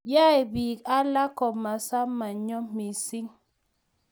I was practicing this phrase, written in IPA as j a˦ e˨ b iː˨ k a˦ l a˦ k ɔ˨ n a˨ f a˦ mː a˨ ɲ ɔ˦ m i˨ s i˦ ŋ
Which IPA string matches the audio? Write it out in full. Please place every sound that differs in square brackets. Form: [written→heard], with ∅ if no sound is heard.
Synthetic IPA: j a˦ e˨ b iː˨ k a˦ l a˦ k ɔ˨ [n→m] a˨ [f→s] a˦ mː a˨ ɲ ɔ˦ m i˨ s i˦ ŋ